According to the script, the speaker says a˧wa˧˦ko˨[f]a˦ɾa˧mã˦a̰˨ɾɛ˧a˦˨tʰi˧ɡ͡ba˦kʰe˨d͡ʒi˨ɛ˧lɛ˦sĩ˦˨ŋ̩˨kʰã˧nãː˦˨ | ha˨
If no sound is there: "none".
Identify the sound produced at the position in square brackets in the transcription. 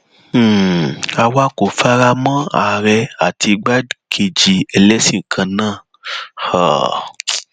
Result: f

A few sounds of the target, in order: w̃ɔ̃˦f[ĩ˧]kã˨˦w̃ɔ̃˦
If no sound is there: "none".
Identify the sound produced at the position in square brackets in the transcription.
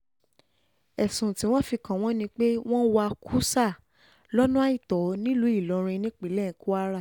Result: i˧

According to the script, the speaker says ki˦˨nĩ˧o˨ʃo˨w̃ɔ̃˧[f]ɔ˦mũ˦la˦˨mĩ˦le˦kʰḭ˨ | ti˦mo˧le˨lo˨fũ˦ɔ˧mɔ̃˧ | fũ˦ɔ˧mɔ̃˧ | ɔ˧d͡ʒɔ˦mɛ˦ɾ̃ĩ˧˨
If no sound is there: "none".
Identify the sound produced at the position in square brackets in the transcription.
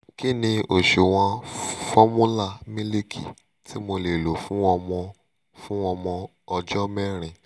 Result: f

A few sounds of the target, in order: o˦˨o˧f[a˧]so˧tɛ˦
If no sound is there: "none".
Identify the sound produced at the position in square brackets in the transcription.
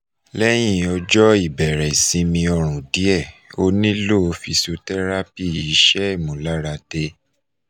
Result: i˧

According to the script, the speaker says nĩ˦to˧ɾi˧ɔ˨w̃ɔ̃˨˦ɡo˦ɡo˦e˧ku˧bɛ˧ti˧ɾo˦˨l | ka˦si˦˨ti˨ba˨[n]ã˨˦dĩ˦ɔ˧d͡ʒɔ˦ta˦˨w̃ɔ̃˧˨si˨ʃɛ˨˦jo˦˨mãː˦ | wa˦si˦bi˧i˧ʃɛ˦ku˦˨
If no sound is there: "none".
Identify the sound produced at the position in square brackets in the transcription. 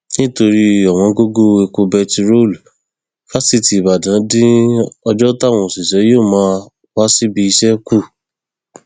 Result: d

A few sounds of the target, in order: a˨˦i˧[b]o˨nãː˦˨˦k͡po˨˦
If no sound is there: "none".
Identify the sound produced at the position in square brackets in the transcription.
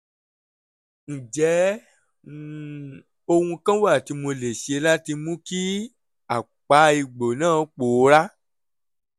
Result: ɡ͡b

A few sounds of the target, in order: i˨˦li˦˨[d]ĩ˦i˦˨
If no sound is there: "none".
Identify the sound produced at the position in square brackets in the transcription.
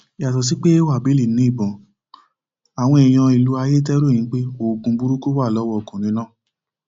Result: n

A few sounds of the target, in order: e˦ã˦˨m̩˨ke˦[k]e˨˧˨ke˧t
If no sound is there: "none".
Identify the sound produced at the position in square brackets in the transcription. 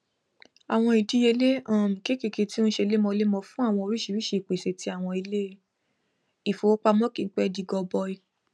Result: k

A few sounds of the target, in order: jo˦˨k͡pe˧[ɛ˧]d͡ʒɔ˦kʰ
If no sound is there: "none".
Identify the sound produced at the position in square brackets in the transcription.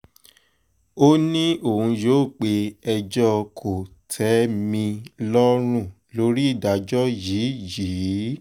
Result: ɛ˧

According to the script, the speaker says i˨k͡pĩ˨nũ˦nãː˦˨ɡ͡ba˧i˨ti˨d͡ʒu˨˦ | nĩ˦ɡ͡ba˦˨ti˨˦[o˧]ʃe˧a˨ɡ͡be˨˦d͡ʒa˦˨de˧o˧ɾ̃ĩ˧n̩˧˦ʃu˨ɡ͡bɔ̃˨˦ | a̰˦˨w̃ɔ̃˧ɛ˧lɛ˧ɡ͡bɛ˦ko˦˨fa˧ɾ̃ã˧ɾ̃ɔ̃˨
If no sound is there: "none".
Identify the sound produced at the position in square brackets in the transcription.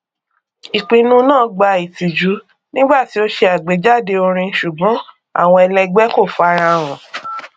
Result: o˧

